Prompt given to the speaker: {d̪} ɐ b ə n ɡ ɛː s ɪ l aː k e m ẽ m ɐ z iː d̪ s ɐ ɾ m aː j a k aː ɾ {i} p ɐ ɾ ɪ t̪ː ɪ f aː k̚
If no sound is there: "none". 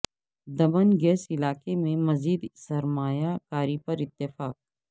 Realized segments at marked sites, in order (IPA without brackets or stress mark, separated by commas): d̪, i